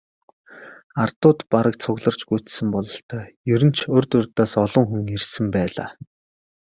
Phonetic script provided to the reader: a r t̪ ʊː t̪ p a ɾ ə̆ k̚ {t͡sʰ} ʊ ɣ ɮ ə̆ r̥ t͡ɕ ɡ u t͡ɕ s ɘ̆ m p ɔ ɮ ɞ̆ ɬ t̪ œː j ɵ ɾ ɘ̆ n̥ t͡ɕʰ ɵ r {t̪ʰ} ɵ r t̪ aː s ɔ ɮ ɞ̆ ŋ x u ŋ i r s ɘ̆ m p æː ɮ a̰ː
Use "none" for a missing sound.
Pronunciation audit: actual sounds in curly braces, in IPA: t͡sʰ, t̪

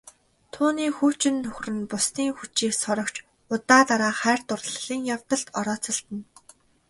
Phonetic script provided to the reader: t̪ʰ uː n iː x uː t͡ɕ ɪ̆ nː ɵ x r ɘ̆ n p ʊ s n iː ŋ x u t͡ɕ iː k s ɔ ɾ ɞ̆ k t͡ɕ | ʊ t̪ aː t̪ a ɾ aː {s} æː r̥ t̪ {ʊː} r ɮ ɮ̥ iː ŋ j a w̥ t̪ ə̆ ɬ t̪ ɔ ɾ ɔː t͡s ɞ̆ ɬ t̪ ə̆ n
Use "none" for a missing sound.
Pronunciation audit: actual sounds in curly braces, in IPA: χ, ʊ

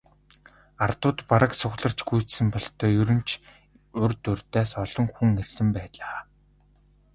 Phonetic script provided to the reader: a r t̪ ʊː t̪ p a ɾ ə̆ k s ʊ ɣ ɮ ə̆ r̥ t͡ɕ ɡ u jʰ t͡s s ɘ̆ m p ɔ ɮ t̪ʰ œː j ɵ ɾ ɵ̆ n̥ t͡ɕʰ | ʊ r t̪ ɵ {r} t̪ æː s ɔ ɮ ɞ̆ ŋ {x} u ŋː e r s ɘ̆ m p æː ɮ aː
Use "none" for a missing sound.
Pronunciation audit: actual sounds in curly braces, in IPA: r, x

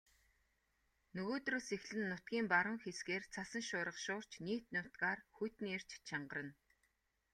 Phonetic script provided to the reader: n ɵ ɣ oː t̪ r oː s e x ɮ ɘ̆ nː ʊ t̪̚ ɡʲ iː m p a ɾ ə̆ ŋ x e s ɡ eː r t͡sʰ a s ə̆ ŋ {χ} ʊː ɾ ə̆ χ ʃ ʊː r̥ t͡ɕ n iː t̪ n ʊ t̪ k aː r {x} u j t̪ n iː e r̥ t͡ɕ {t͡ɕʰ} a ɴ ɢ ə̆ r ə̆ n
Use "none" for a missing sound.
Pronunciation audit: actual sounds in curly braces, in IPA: ʃ, x, t͡ɕʰ

